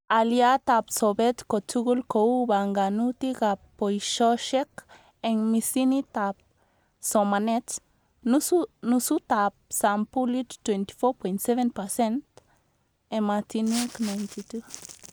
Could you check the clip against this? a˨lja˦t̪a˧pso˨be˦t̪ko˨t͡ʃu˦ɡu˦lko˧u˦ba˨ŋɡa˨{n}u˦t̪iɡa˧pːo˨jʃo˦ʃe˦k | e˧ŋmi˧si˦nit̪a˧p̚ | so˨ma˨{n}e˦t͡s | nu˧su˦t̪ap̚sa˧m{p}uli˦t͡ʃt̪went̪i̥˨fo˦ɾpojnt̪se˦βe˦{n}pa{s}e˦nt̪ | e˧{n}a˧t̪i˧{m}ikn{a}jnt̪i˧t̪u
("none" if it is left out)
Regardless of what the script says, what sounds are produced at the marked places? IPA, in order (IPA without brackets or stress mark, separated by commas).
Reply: n, n, p, n, s, m, n, a